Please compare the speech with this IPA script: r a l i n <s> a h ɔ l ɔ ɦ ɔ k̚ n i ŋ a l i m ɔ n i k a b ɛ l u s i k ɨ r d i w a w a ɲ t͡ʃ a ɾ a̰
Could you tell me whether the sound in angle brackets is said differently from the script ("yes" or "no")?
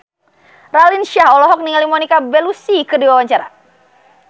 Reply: yes